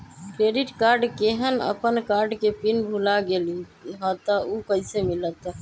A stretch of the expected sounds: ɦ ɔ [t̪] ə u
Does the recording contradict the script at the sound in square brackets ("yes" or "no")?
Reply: no